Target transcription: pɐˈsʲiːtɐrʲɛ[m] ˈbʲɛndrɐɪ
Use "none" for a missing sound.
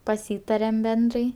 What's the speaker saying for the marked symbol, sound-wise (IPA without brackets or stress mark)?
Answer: m